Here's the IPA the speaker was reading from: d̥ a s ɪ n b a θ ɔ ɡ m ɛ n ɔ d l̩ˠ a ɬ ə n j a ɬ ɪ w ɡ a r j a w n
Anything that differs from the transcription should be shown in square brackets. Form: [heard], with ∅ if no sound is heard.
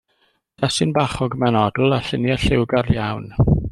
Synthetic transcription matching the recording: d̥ a s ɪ n b a [χ] ɔ ɡ m ɛ n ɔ d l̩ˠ a ɬ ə n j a ɬ ɪ w ɡ a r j a w n